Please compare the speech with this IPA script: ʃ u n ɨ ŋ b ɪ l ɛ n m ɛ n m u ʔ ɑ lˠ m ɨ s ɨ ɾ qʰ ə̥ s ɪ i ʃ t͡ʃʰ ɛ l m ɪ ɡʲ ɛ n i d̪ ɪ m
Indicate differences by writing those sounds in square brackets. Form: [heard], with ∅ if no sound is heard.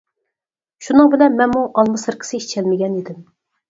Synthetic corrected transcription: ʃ u n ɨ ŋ b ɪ l ɛ n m ɛ n m u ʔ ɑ lˠ m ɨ s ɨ ɾ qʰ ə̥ s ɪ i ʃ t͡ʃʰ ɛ l m ɪ ɡʲ ɛ n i d̪ ɪ m

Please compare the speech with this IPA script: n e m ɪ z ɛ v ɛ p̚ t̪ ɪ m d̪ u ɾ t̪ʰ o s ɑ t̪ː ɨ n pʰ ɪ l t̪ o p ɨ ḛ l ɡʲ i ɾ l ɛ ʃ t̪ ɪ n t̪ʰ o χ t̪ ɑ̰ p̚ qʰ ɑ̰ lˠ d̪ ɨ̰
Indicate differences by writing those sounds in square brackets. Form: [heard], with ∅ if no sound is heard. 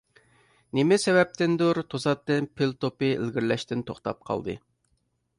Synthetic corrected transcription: n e m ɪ [s] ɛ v ɛ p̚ t̪ ɪ [n] d̪ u ɾ t̪ʰ o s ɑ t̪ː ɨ n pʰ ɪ l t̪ o p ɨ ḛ l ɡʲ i ɾ l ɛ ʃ t̪ ɪ n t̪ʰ o χ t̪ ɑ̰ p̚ qʰ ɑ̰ lˠ d̪ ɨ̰

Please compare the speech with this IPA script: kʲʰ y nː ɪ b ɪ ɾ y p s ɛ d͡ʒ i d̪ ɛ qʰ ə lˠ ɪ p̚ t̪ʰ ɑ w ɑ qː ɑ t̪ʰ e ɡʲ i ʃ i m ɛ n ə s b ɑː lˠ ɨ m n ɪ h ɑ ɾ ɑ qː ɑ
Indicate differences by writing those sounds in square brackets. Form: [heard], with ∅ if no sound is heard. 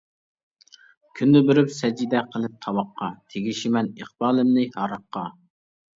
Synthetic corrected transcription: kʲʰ y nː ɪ b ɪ ɾ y p s ɛ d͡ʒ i d̪ ɛ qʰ ə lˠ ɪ p̚ t̪ʰ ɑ w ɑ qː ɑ t̪ʰ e ɡʲ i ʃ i m ɛ n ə [χ] b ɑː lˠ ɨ m n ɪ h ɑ ɾ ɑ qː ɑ

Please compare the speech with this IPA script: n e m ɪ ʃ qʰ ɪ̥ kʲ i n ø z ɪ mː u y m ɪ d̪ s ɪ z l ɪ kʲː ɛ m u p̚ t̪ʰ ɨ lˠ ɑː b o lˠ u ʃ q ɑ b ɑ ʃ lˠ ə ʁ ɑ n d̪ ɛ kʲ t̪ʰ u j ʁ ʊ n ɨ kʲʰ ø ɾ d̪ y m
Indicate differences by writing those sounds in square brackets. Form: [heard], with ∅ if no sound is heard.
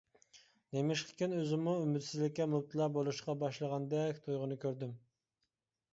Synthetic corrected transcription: n e m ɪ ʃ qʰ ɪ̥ kʲ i n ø z ɪ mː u y m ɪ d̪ s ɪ z l ɪ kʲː ɛ m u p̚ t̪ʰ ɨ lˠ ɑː b o lˠ u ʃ q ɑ b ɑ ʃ lˠ ə ʁ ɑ n d̪ ɛ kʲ t̪ʰ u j ʁ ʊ n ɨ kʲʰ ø ɾ d̪ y m

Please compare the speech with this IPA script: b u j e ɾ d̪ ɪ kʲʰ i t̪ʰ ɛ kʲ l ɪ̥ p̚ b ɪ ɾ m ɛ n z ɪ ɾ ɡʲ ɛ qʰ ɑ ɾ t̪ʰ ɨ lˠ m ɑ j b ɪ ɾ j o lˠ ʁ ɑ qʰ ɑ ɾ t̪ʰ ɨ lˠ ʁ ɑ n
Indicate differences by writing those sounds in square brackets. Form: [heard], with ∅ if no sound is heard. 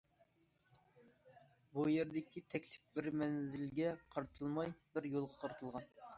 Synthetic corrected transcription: b u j e ɾ d̪ ɪ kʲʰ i t̪ʰ ɛ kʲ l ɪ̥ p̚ b ɪ ɾ m ɛ n z ɪ [l] ɡʲ ɛ qʰ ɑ ɾ t̪ʰ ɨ lˠ m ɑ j b ɪ ɾ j o lˠ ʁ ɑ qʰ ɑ ɾ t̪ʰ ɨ lˠ ʁ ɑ n

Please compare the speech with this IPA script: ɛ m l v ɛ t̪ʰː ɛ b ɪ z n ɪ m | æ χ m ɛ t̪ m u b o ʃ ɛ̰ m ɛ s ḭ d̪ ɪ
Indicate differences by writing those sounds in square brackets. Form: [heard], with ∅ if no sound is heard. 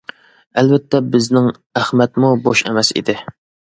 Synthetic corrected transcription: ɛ [∅] l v ɛ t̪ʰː ɛ b ɪ z n ɪ [ŋ] | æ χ m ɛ t̪ m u b o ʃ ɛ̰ m ɛ s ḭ d̪ ɪ

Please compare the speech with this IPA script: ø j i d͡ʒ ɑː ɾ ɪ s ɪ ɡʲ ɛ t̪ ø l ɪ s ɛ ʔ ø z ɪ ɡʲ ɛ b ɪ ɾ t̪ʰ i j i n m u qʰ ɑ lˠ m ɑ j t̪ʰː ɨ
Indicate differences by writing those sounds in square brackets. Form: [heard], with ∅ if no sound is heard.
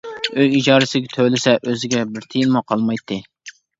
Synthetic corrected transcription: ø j i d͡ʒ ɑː ɾ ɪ s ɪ ɡʲ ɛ [t̪ʰ] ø l ɪ s ɛ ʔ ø z ɪ ɡʲ ɛ b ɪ ɾ t̪ʰ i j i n m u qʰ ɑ lˠ m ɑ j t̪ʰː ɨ

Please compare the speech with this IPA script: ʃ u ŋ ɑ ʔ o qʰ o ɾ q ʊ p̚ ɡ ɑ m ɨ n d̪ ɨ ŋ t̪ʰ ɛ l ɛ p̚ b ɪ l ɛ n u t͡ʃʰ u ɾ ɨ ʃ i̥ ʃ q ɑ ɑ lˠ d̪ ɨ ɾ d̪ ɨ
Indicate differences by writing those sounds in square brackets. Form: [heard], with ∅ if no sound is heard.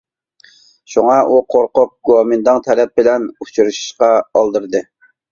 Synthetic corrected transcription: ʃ u ŋ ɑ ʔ [u] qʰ o ɾ q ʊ p̚ ɡ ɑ m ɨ n d̪ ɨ ŋ t̪ʰ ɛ l ɛ p̚ b ɪ l ɛ n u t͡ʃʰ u ɾ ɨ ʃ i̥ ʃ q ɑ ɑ lˠ d̪ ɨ ɾ d̪ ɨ

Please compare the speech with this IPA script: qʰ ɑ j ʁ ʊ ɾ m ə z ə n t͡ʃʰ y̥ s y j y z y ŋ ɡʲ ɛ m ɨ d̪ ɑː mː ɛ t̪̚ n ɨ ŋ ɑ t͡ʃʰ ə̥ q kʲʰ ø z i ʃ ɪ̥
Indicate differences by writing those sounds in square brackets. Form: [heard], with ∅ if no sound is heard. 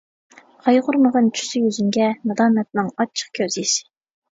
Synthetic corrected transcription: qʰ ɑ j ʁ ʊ ɾ m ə [ʁ] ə n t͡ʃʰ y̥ s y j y z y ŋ ɡʲ ɛ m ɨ d̪ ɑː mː ɛ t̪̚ n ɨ ŋ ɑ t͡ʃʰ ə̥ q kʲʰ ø z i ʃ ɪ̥

